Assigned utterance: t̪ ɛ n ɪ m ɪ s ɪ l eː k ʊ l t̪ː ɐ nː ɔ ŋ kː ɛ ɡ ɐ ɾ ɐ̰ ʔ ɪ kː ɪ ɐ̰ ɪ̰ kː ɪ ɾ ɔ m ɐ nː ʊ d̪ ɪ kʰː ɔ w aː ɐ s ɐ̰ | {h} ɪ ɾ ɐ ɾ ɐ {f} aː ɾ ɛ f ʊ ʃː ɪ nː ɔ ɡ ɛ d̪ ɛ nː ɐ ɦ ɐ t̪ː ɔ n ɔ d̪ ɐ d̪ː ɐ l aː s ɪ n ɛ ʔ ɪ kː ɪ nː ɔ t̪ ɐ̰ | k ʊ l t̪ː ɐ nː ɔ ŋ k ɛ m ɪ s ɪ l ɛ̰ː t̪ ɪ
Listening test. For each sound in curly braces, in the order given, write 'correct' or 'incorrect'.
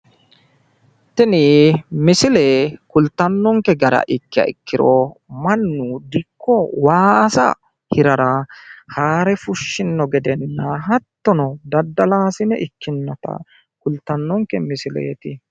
correct, incorrect: h

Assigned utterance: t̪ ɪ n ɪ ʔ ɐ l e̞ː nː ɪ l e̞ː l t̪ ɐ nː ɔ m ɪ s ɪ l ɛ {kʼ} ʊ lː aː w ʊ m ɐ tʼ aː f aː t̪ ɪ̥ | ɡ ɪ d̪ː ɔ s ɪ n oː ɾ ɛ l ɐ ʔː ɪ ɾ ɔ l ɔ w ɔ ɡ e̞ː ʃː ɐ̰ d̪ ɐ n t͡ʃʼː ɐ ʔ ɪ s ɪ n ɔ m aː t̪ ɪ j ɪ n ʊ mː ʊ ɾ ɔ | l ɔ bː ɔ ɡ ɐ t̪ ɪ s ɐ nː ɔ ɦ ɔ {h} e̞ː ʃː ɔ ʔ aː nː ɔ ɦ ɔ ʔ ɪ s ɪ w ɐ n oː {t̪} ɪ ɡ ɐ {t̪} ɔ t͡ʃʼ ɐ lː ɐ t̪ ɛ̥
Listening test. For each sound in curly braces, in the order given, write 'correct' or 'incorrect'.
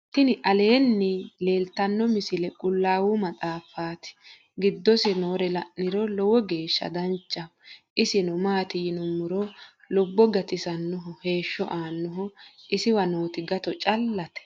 correct, correct, correct, correct

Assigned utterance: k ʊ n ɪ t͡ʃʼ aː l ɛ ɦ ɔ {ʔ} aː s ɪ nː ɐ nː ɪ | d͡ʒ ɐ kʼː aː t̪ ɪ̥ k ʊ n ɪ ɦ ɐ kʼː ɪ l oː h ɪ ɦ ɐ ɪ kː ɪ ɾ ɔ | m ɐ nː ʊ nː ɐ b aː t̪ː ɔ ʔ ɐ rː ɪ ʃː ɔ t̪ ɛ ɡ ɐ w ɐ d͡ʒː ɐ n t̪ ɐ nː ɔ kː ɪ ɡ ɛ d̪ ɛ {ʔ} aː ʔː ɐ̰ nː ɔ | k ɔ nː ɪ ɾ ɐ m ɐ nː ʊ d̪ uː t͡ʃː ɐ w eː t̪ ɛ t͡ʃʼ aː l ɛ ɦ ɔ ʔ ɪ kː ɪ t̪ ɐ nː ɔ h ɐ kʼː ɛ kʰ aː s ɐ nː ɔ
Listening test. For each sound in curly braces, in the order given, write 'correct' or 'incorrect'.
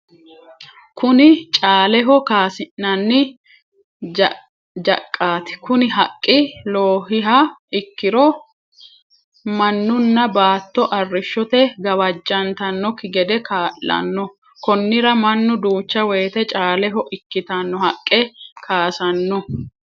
incorrect: k, incorrect: k

